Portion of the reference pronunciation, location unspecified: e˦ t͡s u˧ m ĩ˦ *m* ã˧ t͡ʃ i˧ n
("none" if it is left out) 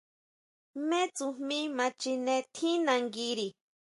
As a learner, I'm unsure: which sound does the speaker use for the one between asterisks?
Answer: m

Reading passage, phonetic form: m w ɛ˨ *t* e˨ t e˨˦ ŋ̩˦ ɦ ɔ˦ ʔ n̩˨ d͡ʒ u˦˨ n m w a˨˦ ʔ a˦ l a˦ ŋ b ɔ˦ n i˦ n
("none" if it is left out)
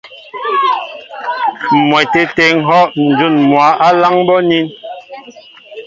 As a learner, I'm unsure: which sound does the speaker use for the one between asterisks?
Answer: t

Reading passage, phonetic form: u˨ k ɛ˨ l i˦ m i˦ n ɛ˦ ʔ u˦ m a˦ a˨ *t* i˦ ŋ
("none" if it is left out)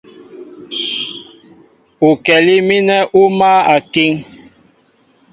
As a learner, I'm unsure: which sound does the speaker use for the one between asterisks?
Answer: k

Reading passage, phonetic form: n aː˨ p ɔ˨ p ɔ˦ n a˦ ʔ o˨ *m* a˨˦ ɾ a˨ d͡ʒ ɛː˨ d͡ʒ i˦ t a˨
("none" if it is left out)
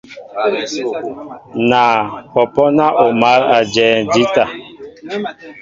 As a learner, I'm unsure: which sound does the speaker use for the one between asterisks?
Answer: m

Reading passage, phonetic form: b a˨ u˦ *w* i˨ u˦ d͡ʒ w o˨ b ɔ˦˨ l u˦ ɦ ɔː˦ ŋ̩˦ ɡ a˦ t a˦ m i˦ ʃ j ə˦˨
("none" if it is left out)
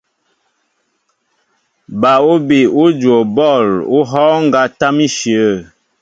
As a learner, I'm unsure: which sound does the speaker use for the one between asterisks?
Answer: b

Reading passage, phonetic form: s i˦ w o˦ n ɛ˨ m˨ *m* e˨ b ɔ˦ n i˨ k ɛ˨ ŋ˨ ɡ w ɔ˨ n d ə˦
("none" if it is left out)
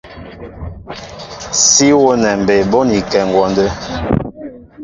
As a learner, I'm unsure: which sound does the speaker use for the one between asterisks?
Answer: b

